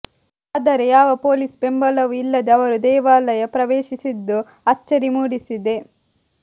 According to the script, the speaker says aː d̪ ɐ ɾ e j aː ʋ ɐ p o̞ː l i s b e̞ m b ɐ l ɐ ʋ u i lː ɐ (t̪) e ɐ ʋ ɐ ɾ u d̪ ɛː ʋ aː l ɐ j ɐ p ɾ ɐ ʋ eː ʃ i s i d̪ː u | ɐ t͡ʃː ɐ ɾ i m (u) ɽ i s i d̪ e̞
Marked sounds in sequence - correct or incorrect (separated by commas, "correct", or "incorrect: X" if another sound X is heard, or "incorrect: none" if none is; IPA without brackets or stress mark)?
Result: incorrect: d̪, incorrect: uː